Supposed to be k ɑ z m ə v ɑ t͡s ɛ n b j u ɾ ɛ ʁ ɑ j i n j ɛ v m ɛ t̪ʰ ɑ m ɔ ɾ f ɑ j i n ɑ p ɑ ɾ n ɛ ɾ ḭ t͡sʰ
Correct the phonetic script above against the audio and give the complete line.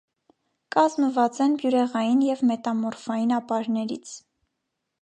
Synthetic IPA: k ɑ z m ə v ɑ t͡s ɛ n b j u ɾ ɛ ʁ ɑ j i n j ɛ v m ɛ t̪ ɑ m ɔ ɾ f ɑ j i n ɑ p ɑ ɾ n ɛ ɾ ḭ t͡sʰ